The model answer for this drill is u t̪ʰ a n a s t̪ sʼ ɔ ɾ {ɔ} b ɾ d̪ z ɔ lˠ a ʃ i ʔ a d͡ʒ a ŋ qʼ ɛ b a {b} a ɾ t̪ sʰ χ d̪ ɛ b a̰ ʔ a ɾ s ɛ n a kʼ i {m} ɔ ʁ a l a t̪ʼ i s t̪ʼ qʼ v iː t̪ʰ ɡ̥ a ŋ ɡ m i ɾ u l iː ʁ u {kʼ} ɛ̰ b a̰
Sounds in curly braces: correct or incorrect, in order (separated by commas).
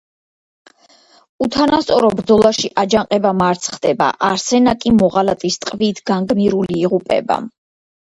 correct, incorrect, correct, incorrect